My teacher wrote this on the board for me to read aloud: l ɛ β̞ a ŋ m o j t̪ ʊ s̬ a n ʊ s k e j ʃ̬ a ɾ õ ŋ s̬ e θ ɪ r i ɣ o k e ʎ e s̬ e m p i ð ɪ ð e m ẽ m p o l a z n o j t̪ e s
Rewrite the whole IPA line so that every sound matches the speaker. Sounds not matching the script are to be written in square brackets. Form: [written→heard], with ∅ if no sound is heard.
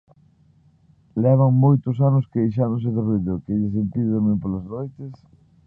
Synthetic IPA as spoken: l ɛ β̞ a ŋ m o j t̪ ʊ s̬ a n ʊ s k e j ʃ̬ a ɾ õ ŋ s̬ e [θ→ð] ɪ r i [ɣ→ð] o k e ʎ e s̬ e m p i ð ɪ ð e m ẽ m p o l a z n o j t̪ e s